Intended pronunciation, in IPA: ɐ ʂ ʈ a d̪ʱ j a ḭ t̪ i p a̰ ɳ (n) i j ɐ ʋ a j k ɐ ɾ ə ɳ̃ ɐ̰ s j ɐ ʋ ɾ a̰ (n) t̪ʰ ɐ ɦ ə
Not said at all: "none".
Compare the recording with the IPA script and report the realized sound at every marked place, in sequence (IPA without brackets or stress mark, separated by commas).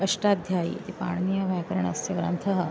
n, n